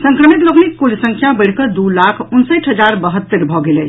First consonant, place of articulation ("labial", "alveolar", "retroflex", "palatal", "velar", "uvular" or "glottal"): alveolar